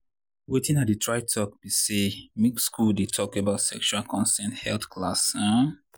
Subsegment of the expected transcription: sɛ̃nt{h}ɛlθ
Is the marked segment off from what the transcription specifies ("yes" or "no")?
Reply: no